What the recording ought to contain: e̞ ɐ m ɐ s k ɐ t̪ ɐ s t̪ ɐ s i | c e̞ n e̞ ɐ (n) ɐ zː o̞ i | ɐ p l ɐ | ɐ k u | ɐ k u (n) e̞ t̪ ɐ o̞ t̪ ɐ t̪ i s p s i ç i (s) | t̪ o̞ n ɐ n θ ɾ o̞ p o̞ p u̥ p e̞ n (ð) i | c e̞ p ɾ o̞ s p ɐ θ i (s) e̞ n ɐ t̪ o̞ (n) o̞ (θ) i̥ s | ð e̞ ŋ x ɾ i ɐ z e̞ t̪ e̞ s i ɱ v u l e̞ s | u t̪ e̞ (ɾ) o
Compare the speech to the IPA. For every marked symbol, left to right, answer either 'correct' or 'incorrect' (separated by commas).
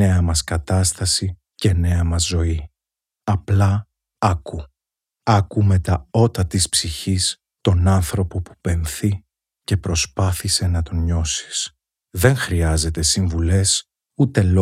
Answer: incorrect, incorrect, correct, incorrect, correct, incorrect, incorrect, incorrect